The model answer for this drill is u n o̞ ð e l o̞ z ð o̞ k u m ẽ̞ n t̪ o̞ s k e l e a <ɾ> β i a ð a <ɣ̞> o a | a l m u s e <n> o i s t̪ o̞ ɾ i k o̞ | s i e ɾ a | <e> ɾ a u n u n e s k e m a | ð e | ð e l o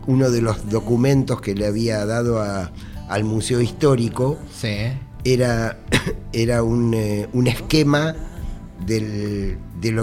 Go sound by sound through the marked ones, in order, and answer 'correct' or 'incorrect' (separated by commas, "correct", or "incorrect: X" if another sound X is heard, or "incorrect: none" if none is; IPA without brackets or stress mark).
incorrect: none, incorrect: ð̞, incorrect: none, correct